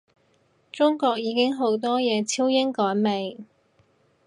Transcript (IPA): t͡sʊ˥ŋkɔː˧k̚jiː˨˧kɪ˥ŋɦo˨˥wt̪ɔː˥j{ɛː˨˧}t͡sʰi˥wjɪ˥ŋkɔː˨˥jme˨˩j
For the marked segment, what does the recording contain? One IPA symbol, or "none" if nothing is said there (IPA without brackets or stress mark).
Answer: ɛː˨˧